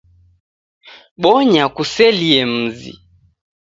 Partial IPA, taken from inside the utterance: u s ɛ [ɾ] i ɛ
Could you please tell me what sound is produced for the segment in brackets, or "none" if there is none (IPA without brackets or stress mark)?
l